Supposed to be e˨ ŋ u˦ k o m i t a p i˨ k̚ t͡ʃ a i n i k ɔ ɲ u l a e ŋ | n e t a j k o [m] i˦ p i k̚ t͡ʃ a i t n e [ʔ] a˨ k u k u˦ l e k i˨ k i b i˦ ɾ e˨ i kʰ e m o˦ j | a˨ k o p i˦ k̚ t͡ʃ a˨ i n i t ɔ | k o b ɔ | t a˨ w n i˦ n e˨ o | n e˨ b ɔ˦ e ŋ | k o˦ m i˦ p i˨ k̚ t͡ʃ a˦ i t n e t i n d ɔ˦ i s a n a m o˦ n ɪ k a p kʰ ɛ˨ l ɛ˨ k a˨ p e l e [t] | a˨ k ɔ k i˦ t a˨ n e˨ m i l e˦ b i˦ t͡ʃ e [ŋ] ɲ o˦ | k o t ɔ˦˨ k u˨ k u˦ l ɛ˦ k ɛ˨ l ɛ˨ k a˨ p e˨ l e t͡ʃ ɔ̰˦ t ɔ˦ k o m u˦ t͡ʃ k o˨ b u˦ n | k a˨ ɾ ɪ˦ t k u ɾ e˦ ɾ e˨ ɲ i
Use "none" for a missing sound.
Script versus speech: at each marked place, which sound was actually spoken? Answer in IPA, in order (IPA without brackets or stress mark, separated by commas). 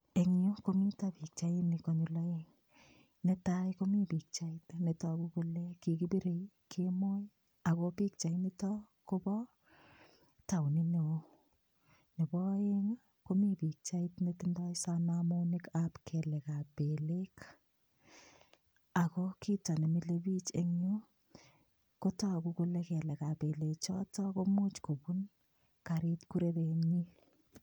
m, t, k, ŋ